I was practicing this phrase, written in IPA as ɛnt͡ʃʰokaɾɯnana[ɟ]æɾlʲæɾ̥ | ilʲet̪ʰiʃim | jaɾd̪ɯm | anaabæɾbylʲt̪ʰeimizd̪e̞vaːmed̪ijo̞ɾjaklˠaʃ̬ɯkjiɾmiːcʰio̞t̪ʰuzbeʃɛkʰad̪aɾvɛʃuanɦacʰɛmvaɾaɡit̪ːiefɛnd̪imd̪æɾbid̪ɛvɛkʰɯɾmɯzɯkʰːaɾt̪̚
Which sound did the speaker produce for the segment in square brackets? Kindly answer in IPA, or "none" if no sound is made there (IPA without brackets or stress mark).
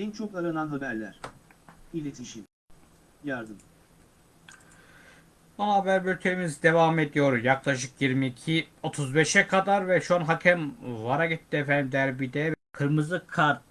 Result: b